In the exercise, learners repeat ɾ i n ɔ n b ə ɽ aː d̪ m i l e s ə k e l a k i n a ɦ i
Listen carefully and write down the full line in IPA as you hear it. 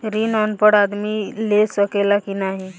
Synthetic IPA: ɾ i n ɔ n p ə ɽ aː d̪ m i l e s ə k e l a k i n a ɦ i